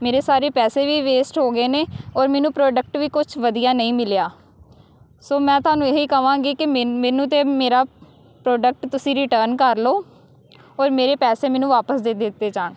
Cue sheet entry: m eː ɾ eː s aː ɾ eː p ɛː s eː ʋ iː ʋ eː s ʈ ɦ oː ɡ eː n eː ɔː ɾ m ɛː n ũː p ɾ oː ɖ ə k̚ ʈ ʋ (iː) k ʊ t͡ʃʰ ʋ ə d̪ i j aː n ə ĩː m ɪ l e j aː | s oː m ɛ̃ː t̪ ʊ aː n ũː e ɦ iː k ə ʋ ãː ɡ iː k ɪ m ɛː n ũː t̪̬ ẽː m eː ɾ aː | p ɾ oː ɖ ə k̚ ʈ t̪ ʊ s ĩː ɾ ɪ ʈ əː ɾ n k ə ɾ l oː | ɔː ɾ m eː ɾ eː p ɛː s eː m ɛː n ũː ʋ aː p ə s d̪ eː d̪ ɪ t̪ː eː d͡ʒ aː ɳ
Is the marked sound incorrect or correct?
correct